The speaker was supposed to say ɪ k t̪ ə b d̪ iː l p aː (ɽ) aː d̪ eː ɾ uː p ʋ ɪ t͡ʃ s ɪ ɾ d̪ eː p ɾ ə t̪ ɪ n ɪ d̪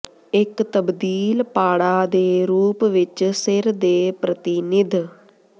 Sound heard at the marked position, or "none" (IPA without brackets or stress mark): ɽ